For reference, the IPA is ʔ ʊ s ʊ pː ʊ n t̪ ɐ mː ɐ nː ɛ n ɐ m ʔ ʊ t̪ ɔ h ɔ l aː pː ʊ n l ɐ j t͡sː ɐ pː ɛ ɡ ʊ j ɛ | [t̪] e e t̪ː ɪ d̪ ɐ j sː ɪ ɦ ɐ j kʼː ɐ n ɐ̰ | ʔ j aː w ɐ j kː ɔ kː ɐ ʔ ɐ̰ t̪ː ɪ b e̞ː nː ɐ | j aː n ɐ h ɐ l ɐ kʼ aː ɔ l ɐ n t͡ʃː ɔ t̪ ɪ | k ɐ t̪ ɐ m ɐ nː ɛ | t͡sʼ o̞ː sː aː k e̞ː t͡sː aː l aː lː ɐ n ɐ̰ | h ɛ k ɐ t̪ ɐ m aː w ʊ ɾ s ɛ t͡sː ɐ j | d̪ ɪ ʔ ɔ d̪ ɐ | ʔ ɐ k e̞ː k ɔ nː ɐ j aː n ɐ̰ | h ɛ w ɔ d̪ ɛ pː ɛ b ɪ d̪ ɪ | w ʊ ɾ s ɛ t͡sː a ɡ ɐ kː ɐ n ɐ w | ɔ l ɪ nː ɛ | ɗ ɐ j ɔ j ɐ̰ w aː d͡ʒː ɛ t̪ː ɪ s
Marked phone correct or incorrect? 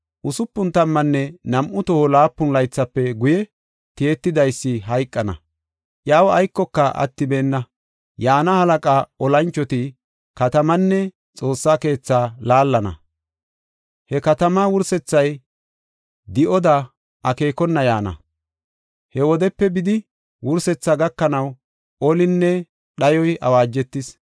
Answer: correct